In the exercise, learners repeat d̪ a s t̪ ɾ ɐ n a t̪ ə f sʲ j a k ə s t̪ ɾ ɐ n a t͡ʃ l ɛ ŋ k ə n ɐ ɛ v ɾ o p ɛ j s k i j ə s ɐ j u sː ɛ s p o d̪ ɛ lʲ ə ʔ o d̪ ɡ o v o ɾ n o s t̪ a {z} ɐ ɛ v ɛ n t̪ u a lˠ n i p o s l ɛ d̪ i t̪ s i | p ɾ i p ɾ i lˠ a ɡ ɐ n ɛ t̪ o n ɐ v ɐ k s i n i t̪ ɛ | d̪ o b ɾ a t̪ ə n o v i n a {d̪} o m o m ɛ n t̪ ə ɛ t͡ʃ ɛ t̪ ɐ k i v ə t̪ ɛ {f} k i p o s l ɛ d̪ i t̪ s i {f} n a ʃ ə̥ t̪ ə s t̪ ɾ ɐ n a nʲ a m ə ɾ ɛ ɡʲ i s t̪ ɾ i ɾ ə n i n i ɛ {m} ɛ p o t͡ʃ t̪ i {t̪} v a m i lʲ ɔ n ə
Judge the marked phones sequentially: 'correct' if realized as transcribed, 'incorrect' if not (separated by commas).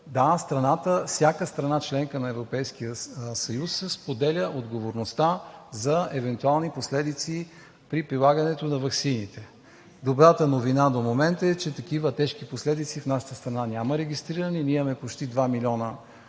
correct, correct, incorrect, correct, correct, incorrect